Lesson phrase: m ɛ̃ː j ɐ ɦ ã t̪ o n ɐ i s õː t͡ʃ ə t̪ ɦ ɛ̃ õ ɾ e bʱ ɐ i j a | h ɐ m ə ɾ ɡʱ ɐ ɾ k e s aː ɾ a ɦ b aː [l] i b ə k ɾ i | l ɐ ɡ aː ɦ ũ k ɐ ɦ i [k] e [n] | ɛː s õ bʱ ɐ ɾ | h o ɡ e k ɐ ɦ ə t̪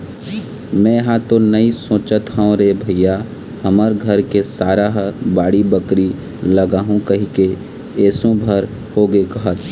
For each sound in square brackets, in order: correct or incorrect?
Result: incorrect, correct, incorrect

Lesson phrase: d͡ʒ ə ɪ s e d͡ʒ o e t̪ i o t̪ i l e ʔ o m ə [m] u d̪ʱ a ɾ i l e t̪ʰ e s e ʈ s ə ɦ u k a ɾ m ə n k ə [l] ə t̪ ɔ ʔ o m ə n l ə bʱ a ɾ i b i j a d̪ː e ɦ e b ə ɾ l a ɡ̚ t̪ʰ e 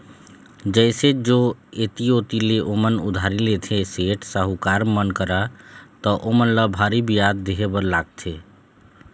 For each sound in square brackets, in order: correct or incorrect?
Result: incorrect, incorrect

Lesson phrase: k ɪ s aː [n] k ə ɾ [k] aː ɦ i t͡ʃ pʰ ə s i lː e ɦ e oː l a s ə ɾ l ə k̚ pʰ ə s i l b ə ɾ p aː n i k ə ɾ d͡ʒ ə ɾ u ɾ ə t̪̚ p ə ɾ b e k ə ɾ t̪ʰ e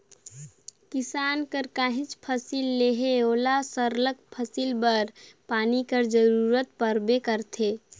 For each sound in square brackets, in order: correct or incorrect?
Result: correct, correct

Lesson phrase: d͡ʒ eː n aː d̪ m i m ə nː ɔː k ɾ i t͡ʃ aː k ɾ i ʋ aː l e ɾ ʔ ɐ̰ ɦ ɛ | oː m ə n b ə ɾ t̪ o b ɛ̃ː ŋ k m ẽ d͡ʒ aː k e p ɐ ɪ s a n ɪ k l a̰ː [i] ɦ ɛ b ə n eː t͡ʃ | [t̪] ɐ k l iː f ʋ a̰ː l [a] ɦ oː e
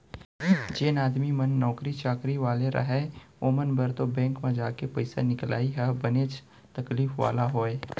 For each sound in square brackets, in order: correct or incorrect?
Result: correct, correct, correct

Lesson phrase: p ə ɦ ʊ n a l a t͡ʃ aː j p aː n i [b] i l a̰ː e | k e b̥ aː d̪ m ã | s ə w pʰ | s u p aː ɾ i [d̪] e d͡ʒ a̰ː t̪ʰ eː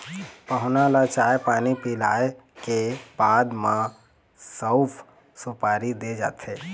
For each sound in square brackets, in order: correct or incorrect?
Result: incorrect, correct

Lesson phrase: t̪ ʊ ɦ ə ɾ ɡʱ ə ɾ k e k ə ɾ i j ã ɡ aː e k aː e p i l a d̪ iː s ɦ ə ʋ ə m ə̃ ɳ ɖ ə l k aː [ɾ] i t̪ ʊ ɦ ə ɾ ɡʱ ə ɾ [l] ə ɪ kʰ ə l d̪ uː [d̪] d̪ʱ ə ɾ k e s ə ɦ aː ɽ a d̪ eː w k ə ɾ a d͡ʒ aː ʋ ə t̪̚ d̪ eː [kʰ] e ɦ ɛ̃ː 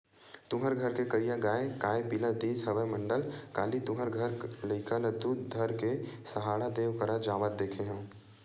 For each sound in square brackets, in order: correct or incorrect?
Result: incorrect, correct, correct, correct

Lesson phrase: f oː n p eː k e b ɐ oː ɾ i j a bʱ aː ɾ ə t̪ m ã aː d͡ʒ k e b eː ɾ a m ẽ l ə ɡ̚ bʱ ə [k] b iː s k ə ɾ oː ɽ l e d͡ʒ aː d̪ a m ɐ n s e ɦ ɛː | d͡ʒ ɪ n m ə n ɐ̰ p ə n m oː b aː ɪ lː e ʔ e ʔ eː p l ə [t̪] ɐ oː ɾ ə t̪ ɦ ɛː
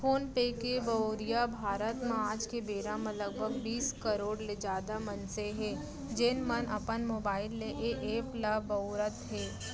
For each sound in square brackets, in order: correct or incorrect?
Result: incorrect, incorrect

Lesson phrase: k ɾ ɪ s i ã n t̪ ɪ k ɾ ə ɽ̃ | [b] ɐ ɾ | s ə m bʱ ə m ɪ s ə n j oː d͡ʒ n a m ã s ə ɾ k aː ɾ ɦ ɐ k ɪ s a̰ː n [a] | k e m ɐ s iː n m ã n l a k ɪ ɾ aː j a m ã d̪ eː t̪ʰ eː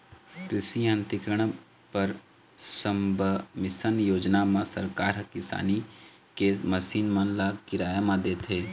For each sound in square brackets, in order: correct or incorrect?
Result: incorrect, incorrect

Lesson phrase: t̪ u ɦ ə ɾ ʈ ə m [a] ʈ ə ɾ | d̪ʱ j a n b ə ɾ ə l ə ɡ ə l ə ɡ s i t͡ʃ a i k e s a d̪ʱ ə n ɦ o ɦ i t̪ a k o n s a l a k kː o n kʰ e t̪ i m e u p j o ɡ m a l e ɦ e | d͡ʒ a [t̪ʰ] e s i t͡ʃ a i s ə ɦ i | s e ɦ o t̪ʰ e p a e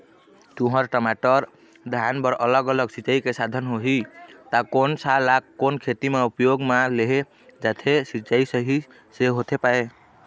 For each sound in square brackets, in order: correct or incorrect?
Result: correct, correct

